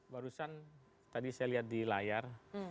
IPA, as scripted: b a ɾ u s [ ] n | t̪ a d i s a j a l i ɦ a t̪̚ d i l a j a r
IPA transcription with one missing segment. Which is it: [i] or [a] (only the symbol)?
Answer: a